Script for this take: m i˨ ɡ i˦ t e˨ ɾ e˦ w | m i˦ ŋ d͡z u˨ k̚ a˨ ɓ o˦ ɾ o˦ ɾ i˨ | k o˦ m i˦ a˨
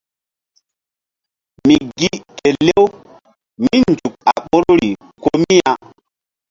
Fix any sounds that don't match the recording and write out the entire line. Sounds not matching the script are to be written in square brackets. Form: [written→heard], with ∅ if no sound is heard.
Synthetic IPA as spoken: m i˨ ɡ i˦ t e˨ [ɾ→l] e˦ w | m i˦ [ŋ→n] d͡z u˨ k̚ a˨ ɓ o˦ ɾ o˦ ɾ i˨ | k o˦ m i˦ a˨